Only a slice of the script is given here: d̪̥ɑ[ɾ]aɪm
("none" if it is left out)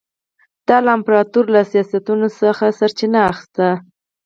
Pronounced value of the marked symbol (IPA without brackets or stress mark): l